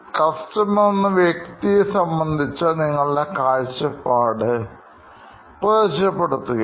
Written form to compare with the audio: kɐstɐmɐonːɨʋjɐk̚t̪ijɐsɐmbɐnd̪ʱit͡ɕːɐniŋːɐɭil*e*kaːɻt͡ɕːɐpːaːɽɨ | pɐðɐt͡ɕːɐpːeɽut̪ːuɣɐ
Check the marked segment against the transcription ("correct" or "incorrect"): correct